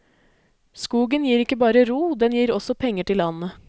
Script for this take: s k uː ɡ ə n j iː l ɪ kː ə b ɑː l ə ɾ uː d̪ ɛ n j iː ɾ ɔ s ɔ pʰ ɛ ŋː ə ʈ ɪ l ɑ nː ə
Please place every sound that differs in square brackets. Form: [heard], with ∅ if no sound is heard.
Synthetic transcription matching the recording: s k uː ɡ ə n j iː [ɾ] ɪ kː ə b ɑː [ɾ] ə ɾ uː d̪ ɛ n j iː ɾ ɔ s ɔ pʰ ɛ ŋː ə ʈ ɪ l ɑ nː ə